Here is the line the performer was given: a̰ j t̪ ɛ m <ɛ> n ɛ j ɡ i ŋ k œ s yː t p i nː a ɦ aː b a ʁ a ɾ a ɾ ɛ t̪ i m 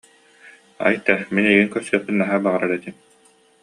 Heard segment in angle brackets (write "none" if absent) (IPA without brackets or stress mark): i